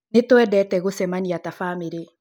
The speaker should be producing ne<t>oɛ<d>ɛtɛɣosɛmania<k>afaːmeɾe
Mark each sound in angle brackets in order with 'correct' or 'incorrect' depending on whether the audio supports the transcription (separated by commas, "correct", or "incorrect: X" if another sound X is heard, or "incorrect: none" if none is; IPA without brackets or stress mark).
correct, correct, incorrect: t